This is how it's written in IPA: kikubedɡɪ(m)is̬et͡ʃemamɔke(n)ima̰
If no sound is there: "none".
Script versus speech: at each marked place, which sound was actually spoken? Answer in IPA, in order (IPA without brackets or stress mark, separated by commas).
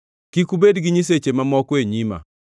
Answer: ɲ, ɲ